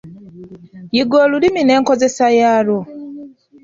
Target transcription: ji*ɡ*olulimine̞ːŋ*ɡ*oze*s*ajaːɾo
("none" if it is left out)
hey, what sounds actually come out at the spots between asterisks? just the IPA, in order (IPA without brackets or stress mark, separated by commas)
ɡ, k, s